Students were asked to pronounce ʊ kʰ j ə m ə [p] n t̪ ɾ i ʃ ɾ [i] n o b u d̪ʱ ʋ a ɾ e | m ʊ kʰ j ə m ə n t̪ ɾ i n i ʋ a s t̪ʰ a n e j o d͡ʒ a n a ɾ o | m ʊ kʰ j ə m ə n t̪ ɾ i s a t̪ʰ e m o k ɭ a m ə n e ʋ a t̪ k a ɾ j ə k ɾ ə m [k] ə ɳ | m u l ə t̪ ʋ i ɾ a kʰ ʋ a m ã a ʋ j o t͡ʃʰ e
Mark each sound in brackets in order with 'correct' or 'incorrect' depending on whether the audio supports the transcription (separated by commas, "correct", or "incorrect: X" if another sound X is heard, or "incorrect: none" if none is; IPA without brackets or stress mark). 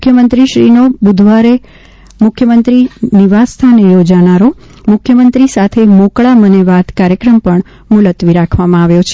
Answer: incorrect: none, correct, incorrect: p